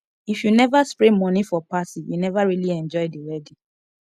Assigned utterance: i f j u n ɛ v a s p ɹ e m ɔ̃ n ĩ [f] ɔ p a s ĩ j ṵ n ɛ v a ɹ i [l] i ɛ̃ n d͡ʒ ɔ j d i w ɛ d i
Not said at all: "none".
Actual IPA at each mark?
f, l

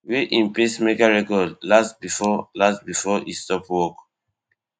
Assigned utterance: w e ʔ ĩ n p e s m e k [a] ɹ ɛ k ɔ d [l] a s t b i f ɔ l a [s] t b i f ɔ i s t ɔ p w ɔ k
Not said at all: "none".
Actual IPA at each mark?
a, l, s

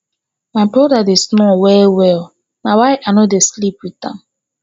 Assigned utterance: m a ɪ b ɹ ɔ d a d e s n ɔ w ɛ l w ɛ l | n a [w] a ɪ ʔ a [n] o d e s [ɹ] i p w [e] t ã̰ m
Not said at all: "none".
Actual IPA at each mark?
w, n, l, i

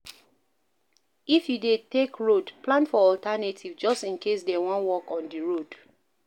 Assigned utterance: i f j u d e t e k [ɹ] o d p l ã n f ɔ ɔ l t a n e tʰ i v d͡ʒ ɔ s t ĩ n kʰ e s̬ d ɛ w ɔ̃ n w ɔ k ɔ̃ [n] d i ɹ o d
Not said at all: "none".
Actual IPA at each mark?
ɹ, n

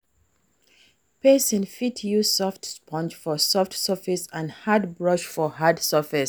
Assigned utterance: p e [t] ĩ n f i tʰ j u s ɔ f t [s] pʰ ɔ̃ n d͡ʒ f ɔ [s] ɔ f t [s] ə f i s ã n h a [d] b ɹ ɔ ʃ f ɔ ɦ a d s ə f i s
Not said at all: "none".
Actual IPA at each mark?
s, s, s, s, d

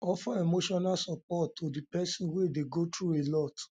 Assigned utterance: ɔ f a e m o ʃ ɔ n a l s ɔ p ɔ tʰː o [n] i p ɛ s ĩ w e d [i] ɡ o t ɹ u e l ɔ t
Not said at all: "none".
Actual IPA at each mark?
d, e

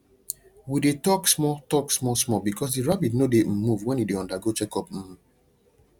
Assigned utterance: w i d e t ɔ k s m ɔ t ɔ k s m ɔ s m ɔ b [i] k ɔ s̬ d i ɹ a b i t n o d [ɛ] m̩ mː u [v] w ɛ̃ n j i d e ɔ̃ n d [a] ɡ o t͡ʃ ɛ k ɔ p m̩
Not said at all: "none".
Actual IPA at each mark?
i, e, v, a

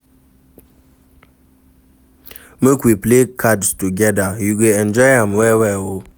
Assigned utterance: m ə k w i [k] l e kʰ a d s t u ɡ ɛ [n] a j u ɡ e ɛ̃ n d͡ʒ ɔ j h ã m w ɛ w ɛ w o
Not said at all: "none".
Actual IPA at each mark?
p, d

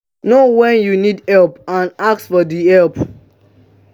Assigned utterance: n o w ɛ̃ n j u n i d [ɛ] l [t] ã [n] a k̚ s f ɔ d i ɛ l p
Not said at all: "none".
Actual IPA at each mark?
ɛ, p, n

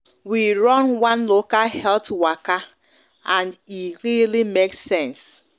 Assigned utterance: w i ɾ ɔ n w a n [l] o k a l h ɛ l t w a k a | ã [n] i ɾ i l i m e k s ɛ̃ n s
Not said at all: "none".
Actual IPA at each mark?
l, n

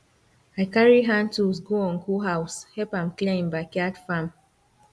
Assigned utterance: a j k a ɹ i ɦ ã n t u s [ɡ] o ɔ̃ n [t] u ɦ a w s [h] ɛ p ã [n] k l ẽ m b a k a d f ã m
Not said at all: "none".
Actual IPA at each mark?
ɡ, k, h, m

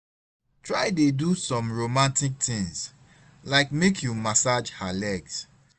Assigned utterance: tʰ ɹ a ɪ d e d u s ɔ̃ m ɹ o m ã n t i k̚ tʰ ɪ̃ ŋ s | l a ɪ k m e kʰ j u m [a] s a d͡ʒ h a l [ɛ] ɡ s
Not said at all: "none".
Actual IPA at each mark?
a, ɛ

